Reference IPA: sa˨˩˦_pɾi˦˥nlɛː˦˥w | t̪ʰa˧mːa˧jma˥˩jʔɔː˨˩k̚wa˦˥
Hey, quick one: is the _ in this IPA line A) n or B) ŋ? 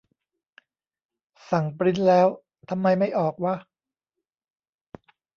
B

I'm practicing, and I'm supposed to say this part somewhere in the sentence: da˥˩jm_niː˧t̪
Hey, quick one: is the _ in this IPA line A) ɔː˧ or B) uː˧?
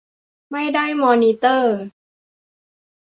A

